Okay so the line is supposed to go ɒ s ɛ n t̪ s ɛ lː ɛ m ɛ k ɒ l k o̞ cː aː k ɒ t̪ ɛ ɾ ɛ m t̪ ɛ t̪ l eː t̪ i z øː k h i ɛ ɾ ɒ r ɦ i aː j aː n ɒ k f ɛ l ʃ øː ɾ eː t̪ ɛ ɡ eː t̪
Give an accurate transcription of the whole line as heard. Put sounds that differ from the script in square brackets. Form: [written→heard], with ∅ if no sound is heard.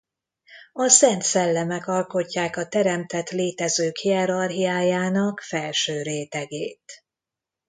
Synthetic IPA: ɒ s ɛ n t̪ s ɛ lː ɛ m ɛ k ɒ l k o̞ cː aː k ɒ t̪ ɛ ɾ ɛ m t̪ ɛ t̪ l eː t̪ [i→ɛ] z øː k h i ɛ ɾ ɒ r ɦ i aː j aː n ɒ k f ɛ l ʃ øː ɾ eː t̪ ɛ ɡ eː t̪